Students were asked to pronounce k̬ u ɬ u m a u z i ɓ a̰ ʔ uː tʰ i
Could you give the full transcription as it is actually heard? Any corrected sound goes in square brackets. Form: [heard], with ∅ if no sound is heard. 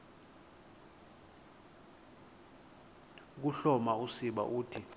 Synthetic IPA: k̬ u ɬ [ɔ] m a u [s] i ɓ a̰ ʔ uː tʰ i